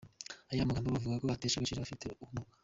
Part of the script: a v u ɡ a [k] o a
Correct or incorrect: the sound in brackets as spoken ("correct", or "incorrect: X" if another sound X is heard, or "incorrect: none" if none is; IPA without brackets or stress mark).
correct